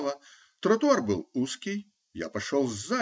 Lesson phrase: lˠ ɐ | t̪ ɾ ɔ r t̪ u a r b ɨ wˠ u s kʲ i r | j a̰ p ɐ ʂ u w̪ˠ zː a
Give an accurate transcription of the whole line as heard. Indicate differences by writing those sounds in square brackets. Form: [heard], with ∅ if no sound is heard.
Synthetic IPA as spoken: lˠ ɐ | t̪ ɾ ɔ [∅] t̪ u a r b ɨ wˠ u s kʲ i [∅] | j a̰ p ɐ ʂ [ɔ] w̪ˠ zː a